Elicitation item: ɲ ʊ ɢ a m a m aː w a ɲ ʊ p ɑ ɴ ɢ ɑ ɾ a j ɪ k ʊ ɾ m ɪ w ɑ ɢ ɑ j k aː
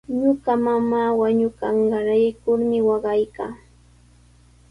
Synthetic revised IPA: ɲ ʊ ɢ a m a m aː w a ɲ ʊ k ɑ ɴ ɢ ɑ ɾ a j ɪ k ʊ ɾ m ɪ w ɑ ɢ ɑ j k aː